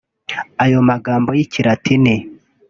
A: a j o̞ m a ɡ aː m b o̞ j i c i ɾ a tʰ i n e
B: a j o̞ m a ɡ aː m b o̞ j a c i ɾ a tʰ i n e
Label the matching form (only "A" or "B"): A